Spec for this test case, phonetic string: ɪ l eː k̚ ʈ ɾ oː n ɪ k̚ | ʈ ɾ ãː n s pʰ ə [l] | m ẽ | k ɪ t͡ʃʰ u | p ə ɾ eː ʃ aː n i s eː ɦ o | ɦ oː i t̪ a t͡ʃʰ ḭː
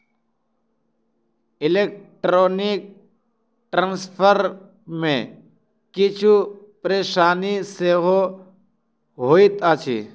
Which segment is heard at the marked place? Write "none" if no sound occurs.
ɾ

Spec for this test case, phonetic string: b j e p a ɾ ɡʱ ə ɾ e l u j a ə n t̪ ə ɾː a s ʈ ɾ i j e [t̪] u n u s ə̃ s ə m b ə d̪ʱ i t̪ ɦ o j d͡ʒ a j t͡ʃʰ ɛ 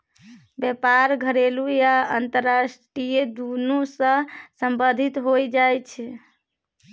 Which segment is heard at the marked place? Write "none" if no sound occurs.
d̪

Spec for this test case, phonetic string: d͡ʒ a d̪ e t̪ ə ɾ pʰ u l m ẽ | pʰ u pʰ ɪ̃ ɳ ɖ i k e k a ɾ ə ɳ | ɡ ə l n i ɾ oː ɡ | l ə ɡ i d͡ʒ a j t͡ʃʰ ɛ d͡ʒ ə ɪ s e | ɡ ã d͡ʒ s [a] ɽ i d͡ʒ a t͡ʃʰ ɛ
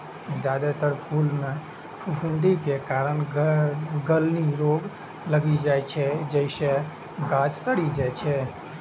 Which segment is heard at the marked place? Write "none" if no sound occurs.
ə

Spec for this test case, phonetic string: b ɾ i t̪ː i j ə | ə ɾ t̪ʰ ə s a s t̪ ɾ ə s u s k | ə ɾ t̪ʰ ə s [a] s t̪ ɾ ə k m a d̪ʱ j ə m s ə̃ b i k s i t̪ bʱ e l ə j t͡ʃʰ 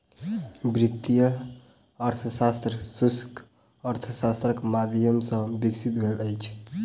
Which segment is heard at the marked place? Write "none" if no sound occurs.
a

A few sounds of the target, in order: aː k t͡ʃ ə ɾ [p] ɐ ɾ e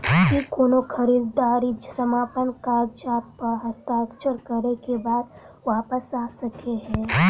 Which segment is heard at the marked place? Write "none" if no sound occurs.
k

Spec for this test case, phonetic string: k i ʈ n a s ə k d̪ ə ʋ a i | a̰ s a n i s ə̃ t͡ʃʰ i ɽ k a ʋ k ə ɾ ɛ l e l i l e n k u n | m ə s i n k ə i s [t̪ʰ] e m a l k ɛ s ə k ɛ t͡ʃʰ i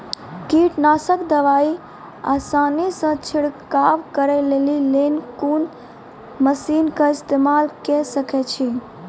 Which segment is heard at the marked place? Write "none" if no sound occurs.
t̪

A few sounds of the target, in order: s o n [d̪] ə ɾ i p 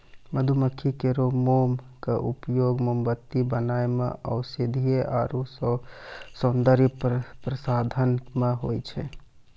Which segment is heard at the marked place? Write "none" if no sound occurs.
d̪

